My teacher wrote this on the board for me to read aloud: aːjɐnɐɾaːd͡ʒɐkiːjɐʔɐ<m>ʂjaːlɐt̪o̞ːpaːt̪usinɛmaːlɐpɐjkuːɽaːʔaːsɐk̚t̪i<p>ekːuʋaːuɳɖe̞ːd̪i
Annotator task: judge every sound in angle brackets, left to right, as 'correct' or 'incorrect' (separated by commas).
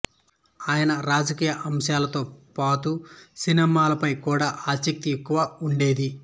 correct, incorrect